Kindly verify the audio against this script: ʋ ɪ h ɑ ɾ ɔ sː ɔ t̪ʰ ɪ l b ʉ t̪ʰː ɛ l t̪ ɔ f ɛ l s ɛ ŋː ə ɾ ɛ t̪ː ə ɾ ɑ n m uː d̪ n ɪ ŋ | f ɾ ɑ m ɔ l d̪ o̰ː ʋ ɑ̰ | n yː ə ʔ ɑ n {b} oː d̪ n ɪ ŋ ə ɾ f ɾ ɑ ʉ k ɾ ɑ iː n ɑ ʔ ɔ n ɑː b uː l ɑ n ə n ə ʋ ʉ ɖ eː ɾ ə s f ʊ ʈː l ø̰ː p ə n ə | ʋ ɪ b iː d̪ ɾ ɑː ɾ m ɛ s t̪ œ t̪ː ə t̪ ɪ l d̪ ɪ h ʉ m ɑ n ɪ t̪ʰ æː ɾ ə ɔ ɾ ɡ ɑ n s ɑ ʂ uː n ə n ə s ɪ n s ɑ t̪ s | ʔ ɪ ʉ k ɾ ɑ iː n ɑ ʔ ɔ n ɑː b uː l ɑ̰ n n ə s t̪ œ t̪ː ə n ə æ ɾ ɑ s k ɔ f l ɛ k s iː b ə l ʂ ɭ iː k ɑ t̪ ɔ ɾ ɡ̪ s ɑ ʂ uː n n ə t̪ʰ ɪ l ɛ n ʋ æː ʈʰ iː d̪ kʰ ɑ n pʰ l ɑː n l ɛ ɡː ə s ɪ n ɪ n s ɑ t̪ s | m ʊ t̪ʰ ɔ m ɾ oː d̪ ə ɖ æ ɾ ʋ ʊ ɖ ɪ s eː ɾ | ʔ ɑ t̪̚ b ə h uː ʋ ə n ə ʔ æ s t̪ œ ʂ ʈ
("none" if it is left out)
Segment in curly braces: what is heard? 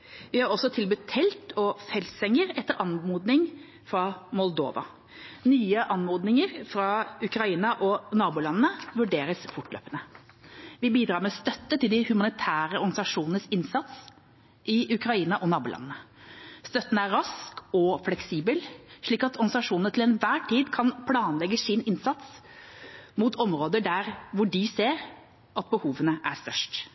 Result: m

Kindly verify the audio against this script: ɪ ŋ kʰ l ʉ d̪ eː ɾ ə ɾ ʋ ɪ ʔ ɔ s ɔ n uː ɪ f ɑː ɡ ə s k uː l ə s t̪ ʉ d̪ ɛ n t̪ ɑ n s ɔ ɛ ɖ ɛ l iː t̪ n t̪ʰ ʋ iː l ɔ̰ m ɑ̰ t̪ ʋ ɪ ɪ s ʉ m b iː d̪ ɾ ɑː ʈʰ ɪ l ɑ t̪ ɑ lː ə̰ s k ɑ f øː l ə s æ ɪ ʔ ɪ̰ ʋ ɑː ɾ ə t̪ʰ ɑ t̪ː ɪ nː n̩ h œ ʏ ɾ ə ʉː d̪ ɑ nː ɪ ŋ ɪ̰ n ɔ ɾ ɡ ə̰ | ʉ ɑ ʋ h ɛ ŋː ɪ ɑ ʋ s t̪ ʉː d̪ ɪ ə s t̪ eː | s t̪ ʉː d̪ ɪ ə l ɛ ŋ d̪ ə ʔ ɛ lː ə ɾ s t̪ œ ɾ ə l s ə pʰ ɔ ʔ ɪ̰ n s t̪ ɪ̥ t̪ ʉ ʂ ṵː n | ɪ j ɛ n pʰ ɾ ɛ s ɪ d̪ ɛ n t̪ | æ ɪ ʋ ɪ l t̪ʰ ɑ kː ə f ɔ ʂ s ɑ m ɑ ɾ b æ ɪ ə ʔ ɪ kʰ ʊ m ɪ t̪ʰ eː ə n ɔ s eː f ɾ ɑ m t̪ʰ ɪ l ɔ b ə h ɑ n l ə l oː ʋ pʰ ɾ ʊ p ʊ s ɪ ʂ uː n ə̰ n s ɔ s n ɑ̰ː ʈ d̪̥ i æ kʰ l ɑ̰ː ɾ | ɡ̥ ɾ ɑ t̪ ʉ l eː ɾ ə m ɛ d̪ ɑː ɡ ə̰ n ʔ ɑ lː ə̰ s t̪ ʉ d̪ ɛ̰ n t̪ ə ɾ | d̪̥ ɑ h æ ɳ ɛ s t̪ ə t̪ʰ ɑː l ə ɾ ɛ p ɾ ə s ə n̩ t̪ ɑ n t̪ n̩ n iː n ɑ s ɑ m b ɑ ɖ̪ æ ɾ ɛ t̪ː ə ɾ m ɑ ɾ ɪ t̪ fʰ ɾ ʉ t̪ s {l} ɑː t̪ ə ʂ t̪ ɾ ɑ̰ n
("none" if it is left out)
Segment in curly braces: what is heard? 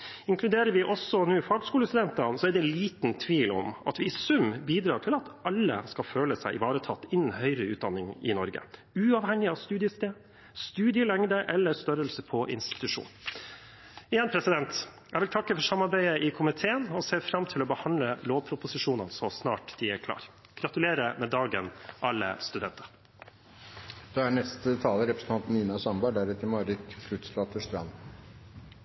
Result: l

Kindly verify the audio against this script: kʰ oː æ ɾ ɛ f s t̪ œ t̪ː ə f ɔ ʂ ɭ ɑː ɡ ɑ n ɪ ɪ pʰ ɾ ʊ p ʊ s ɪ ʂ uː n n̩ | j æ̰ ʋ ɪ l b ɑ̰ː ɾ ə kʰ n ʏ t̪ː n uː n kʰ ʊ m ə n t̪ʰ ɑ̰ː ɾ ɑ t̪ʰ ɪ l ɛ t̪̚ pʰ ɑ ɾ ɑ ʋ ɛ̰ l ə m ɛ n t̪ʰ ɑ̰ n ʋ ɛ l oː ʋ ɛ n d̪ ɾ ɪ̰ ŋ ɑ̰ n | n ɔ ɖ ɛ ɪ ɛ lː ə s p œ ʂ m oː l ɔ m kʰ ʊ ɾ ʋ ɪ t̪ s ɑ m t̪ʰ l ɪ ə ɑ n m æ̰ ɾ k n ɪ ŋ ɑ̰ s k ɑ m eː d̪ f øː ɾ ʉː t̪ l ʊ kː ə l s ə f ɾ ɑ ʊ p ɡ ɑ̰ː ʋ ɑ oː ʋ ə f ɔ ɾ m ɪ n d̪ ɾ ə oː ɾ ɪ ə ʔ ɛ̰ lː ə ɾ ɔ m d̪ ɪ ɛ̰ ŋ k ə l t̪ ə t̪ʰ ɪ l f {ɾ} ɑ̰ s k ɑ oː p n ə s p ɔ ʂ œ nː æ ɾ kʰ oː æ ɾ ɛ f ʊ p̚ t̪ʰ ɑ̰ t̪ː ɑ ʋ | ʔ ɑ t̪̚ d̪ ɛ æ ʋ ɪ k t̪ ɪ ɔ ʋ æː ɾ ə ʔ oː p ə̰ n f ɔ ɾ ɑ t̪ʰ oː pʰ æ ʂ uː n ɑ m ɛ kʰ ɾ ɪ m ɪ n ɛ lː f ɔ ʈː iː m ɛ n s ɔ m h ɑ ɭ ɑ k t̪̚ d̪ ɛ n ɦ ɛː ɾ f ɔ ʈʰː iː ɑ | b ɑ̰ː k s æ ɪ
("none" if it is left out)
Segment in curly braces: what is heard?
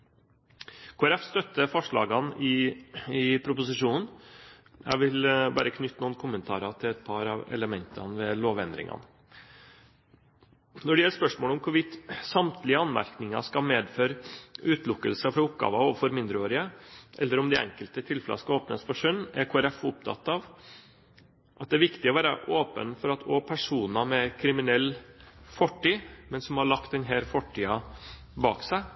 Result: l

